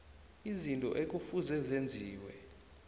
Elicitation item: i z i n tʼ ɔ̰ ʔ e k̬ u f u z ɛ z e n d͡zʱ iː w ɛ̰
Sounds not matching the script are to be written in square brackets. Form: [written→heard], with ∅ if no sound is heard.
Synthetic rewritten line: i z i n tʼ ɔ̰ ʔ e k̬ u f u z ɛ z e n d͡zʱ iː w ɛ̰